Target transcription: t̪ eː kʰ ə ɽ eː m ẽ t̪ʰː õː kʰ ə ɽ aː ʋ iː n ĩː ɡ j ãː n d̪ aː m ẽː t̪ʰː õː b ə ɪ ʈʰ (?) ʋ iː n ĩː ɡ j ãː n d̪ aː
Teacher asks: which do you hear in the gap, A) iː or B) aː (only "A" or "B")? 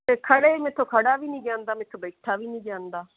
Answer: B